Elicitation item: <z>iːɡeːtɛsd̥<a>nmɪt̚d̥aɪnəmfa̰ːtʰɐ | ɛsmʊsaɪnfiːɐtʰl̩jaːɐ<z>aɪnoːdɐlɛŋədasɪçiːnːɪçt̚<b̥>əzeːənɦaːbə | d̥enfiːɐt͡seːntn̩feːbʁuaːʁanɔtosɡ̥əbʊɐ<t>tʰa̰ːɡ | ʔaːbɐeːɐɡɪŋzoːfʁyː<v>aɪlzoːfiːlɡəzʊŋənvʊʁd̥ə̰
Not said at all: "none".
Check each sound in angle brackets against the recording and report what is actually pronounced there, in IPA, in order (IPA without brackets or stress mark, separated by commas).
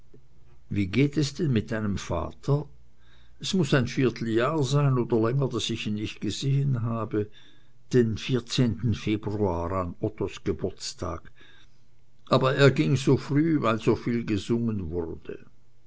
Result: v, ɛ, z, ɡ̥, t͡s, v